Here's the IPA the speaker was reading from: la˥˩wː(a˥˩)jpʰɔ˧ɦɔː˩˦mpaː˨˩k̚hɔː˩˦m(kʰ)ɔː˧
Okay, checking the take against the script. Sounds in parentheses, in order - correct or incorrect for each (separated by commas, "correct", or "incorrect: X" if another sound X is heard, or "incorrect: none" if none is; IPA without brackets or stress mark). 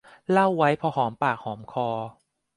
incorrect: a˦˥, correct